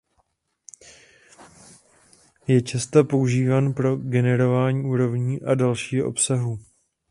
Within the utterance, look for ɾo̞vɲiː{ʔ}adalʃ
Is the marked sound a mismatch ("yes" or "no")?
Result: no